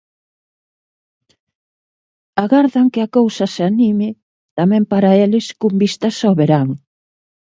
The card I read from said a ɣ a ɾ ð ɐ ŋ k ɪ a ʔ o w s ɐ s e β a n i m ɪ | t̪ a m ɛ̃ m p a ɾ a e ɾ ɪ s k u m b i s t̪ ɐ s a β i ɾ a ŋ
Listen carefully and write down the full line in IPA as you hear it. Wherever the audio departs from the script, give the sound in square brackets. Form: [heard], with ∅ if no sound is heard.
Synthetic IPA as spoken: a ɣ a ɾ ð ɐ ŋ k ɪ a [k] o w s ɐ s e [∅] a n i m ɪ | t̪ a m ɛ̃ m p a ɾ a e [l] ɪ s k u m b i s t̪ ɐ s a β [e] ɾ a ŋ